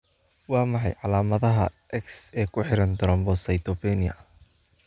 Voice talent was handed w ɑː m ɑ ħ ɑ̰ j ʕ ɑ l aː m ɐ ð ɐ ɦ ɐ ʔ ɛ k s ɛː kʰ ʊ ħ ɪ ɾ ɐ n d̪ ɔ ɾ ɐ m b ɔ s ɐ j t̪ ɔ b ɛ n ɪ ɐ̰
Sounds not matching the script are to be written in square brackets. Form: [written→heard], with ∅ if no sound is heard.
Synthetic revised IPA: w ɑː m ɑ ħ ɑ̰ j ʕ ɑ l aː m ɐ ð ɐ ɦ ɐ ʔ ɛ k s ɛː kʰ ʊ ħ ɪ ɾ ɐ n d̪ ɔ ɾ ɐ m b ɔ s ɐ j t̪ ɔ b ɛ n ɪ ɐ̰